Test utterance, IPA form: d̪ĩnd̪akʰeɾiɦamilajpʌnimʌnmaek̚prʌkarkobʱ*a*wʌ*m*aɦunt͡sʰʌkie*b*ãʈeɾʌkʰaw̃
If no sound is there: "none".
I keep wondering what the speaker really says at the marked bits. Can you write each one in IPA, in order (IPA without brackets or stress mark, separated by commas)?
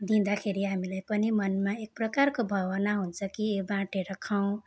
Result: ʌ, n, b